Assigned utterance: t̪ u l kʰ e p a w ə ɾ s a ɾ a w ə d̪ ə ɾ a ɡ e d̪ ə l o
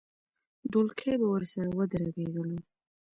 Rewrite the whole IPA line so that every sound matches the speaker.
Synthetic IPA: d̪ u l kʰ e b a w ə ɾ s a ɾ a w ə d̪ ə ɾ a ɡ e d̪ ə l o